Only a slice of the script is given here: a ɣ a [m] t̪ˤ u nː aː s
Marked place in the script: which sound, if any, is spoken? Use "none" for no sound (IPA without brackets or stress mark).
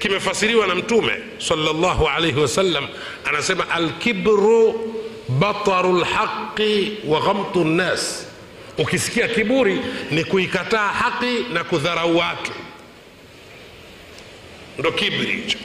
m